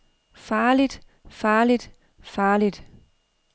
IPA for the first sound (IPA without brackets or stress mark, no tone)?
f